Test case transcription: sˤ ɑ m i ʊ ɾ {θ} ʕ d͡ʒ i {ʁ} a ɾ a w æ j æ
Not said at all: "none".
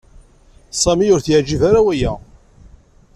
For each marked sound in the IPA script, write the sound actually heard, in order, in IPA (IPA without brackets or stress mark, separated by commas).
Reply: θ, v